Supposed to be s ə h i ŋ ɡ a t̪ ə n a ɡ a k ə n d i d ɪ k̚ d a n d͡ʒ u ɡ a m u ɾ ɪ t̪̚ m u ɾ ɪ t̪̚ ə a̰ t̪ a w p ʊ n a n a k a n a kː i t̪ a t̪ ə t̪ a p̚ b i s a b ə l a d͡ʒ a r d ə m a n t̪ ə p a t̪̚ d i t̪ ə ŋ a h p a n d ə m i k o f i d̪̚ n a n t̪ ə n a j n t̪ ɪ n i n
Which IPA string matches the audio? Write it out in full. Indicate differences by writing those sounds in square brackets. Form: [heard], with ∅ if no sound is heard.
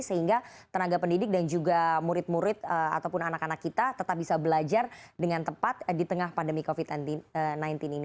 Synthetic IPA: s ə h i ŋ ɡ a t̪ ə n a ɡ a [p] ə n d i d ɪ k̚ d a n d͡ʒ u ɡ a m u ɾ ɪ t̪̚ m u ɾ ɪ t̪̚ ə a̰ t̪ a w p ʊ n a n a k a n a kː i t̪ a t̪ ə t̪ a p̚ b i s a b ə l a d͡ʒ a r d ə [ŋ] a n t̪ ə p a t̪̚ d i t̪ ə ŋ a h p a n d ə m i k o f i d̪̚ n a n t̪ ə n a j n t̪ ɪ n i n

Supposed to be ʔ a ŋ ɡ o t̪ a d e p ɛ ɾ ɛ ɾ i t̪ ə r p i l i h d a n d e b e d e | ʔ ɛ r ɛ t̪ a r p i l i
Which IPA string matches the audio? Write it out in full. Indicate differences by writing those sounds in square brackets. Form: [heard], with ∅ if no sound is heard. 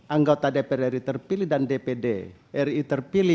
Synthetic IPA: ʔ a ŋ ɡ o t̪ a d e p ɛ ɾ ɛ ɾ i t̪ ə r p i l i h d a n d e [p] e d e | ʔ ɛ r [i] t̪ [ə] r p i l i

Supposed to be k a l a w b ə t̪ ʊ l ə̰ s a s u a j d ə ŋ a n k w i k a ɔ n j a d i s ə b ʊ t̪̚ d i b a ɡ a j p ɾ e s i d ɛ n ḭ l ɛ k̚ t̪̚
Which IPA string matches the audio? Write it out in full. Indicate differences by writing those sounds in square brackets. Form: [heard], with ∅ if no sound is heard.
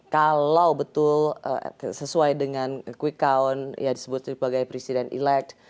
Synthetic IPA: k a l a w b ə t̪ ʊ l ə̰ s [ə] s u a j d ə ŋ a n k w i k a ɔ n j a d i s ə b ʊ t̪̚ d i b a ɡ a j p ɾ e s i d ɛ n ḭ l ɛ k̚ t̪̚

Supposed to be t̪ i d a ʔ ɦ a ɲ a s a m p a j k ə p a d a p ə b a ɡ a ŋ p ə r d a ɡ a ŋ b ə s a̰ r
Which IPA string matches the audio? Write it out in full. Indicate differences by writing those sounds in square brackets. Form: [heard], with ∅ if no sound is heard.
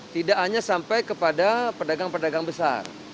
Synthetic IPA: t̪ i d a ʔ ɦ a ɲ a s a m p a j k ə p a d a p ə [d] a ɡ a ŋ p ə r d a ɡ a ŋ b ə s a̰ r

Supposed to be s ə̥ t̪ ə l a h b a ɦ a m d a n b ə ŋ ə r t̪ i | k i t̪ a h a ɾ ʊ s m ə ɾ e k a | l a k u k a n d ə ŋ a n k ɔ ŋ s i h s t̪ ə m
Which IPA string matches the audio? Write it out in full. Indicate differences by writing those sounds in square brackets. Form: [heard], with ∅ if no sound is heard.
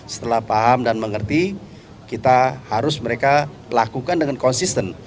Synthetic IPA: s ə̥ t̪ ə l a h [p] a ɦ a m d a n [m] ə ŋ ə r t̪ i | k i t̪ a h a ɾ ʊ s m ə ɾ e k a | l a k u k a n d ə ŋ a n k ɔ [n] s i [∅] s t̪ ə [n]

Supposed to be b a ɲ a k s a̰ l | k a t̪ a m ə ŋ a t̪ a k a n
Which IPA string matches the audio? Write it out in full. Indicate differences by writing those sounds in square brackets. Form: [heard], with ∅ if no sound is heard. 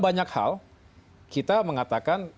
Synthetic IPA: b a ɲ a k [h] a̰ l | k [i] t̪ a m ə ŋ a t̪ a k a n

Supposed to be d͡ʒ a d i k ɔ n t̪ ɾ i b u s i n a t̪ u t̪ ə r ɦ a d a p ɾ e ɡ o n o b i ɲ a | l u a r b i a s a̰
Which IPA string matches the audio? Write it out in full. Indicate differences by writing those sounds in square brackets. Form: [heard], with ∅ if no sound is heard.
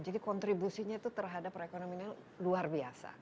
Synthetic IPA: d͡ʒ a d i k ɔ n t̪ ɾ i b u s i [ɲ] a t̪ u t̪ ə r ɦ a d a p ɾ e [k] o n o [m] i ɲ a | l u a r b i a s a̰

